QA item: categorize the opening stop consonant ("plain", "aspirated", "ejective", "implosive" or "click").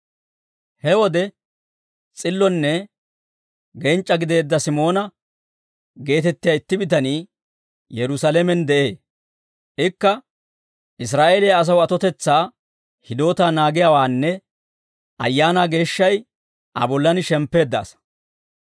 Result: plain